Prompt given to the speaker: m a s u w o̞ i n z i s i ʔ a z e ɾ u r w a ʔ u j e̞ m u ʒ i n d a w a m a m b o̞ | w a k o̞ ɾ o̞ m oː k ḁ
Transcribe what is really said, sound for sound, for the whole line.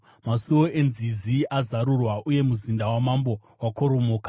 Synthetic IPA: m a s u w o̞ e n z i z i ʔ a z a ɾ u r w a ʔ u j e̞ m u z i n d a w a m a m b o̞ | w a k o̞ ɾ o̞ m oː k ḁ